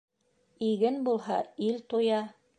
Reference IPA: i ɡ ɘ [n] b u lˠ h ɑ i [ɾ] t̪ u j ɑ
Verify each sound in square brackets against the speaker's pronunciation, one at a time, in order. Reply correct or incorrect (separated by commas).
correct, incorrect